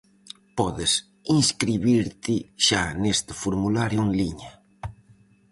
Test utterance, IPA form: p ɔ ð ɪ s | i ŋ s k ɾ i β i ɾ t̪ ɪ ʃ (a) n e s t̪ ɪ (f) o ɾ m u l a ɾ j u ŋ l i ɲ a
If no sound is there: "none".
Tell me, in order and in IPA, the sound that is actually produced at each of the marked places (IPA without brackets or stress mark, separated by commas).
a, f